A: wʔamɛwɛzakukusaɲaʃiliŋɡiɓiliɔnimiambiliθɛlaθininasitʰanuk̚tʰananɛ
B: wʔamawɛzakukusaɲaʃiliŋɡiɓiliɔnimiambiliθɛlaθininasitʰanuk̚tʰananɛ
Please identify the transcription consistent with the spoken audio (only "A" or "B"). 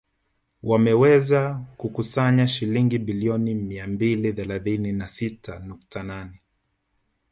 A